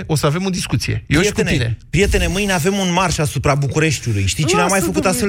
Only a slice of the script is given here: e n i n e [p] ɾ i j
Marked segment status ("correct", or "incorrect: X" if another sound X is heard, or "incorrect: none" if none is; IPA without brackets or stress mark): correct